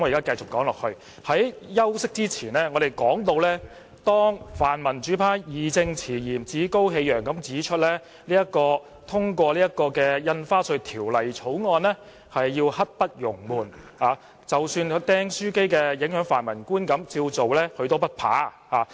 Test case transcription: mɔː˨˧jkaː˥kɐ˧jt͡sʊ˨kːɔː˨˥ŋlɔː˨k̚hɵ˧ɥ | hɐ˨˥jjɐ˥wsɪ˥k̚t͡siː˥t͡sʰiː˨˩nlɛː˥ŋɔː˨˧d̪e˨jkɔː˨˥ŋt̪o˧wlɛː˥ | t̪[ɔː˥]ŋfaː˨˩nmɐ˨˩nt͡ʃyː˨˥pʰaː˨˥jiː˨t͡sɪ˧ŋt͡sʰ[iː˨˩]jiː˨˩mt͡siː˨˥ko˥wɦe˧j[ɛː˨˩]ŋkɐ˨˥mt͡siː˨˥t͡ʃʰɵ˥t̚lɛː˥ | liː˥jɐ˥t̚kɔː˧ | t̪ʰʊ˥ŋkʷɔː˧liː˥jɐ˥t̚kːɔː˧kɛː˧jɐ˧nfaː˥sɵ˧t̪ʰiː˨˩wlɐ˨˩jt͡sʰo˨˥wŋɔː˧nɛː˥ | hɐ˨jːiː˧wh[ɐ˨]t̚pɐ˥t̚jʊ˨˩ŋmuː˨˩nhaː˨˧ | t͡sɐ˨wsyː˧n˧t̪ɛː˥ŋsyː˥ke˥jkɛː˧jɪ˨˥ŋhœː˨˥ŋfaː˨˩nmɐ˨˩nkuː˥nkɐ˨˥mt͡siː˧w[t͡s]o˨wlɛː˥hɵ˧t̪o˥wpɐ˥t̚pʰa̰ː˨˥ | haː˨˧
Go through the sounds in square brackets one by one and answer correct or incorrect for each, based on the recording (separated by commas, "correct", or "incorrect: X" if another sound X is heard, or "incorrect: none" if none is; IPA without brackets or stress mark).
correct, correct, incorrect: œː˨˩, incorrect: ɐ˥, correct